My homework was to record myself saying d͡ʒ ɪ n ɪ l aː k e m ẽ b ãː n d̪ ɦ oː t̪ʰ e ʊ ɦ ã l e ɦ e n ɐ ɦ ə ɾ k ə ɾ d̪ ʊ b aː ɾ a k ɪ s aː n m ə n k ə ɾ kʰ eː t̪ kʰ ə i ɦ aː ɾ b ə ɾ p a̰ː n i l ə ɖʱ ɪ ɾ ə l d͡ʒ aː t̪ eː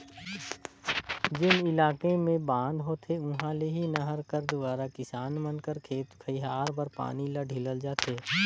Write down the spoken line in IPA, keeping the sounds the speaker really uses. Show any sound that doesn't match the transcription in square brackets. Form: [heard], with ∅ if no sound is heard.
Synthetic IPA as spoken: d͡ʒ ɪ n ɪ l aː k e m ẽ b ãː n d̪ ɦ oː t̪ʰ e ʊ ɦ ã l e ɦ [i] n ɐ ɦ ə ɾ k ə ɾ d̪ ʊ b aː ɾ a k ɪ s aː n m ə n k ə ɾ kʰ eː t̪ kʰ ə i ɦ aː ɾ b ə ɾ p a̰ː n i l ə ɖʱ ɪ [l] ə l d͡ʒ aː t̪ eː